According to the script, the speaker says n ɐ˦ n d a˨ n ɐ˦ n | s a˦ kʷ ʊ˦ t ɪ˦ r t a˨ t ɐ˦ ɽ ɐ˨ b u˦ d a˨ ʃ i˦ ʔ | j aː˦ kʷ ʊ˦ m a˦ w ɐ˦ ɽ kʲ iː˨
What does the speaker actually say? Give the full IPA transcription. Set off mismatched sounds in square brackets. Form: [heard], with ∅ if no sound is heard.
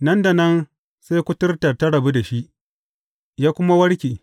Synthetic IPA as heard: n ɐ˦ n d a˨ n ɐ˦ n | s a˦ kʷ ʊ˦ t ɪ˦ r t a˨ t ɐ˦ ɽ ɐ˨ b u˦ d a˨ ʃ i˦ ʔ | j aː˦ kʷ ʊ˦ m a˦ w ɐ˦ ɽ kʲ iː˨

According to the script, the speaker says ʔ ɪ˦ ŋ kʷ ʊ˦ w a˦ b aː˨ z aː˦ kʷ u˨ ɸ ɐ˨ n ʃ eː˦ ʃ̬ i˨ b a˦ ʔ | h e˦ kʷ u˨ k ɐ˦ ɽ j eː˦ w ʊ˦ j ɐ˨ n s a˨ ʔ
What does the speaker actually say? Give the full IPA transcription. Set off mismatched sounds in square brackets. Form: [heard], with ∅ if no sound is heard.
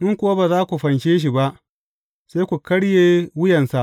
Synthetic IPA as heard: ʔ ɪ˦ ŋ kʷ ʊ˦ w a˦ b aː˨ z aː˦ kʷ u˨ ɸ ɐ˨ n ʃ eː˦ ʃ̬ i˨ b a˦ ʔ | [s] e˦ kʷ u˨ k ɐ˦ ɽ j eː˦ w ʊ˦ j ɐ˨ n s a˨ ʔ

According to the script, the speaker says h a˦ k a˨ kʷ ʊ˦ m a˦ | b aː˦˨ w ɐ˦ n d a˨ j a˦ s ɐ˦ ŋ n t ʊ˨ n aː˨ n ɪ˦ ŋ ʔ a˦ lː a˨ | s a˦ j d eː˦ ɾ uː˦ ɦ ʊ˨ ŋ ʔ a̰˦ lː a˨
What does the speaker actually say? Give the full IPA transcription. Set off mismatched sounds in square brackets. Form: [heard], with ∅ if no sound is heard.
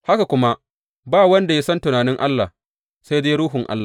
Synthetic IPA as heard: h a˦ k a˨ kʷ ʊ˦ m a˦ | b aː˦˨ w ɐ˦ n d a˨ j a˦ s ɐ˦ [∅] n t ʊ˨ n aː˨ n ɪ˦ ŋ ʔ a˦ lː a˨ | s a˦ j d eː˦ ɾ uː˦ ɦ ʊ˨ ŋ ʔ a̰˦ lː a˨

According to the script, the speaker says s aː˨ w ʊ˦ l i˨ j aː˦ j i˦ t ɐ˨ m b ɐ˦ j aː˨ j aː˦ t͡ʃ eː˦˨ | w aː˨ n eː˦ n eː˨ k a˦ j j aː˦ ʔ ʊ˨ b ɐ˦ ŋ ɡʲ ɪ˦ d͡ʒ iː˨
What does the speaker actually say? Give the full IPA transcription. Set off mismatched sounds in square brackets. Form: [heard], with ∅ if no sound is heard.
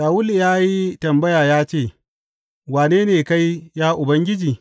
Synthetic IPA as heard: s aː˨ w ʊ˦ l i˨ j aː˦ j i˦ t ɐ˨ m b ɐ˦ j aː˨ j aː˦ t͡ʃ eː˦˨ | w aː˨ n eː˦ n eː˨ k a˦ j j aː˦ ʔ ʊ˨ b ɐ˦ ŋ ɡʲ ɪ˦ d͡ʒ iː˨

